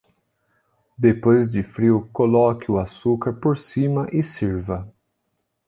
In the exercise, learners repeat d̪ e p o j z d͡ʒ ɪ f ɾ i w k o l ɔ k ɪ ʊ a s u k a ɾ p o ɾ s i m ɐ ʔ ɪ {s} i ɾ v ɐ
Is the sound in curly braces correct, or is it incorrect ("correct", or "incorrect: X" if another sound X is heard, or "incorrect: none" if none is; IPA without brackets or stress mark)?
correct